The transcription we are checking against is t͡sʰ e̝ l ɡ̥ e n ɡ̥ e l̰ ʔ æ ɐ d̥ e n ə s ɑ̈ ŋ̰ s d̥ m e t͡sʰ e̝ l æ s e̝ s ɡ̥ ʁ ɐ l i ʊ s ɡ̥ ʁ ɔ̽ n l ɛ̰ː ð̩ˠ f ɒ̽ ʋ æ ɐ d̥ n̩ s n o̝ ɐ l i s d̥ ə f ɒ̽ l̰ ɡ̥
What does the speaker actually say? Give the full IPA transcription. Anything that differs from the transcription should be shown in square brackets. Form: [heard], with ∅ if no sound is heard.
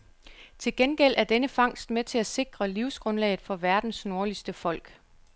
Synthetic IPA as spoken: t͡sʰ e̝ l ɡ̥ e n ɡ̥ e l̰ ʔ æ ɐ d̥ e n ə [f] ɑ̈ ŋ̰ s d̥ m e t͡sʰ e̝ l æ s e̝ [∅] ɡ̥ ʁ ɐ l i ʊ s ɡ̥ ʁ ɔ̽ n l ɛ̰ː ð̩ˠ f ɒ̽ ʋ æ ɐ d̥ n̩ s n o̝ ɐ l i s d̥ ə f ɒ̽ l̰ ɡ̥